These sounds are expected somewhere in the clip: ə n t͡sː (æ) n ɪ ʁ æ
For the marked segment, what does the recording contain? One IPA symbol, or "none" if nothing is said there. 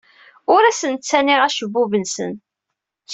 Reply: æ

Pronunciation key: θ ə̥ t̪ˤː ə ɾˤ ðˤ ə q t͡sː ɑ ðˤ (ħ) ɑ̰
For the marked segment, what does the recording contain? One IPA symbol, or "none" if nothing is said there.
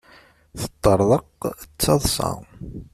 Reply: s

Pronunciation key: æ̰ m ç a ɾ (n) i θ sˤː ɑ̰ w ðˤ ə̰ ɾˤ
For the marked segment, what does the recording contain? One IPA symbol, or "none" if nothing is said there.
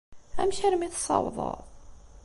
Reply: m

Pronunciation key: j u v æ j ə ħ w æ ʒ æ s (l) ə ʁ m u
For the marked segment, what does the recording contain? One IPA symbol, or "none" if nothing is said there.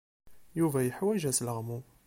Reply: l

